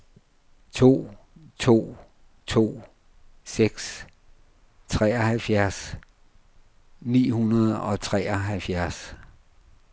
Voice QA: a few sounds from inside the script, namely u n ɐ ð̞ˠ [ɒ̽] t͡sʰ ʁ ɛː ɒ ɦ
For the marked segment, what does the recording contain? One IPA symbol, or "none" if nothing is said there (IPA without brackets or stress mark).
ɒ̽